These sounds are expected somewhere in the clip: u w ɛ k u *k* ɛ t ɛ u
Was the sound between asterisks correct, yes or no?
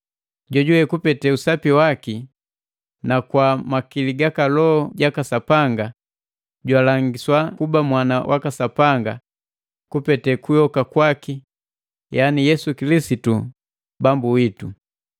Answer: no